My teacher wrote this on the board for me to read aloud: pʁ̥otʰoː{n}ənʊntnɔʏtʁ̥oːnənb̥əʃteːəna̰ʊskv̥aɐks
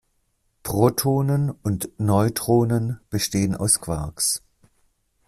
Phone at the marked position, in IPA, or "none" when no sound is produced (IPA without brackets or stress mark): n